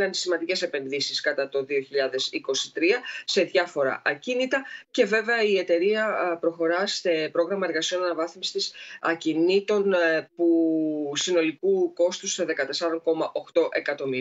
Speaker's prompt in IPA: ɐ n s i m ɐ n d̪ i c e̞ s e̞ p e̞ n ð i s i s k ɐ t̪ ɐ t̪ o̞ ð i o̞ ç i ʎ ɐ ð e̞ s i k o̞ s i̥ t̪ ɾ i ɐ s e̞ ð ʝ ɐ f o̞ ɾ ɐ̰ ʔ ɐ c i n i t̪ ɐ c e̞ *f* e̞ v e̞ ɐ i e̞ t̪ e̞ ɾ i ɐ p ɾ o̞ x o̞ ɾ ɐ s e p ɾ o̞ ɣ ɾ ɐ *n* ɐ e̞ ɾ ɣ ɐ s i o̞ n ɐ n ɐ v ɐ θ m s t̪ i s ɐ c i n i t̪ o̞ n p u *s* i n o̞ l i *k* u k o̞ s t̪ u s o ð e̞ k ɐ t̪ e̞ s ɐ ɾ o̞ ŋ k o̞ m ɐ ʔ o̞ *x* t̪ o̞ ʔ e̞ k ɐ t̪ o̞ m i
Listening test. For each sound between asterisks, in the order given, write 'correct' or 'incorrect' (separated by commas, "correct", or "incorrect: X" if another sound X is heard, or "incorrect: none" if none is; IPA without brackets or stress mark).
incorrect: v, incorrect: m, correct, correct, correct